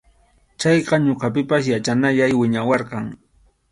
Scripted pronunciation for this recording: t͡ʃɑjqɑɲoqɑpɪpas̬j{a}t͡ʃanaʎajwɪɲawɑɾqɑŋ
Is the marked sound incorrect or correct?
correct